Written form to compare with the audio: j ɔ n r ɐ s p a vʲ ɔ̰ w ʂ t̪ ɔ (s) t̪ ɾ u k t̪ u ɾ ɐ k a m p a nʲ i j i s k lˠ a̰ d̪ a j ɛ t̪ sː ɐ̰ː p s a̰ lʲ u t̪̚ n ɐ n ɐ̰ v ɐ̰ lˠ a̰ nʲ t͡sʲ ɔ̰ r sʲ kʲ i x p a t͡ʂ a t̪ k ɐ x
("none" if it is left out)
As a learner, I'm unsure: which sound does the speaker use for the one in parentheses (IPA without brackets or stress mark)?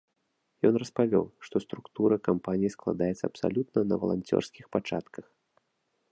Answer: s